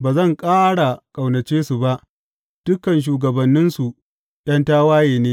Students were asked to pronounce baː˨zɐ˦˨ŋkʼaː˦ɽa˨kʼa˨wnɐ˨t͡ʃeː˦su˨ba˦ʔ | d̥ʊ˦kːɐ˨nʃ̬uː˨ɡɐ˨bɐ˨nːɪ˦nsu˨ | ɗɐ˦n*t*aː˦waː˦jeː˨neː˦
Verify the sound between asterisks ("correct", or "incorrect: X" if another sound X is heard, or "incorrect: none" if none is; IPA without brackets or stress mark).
correct